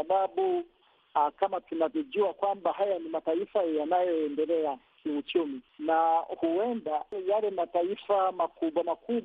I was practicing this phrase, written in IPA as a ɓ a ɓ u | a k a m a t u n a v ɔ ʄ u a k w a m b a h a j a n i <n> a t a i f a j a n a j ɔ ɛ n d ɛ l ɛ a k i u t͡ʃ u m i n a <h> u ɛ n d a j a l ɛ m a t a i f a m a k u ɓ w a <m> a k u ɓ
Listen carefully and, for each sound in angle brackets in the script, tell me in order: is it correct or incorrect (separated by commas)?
incorrect, correct, correct